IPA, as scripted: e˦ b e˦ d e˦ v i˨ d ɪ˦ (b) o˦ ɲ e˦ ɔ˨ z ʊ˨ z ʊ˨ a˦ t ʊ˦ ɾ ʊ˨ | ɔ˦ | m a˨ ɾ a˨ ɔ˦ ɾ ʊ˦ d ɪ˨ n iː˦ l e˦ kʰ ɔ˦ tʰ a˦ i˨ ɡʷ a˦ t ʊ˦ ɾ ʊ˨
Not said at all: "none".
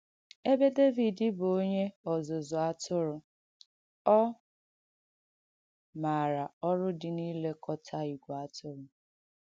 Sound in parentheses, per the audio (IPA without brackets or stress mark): b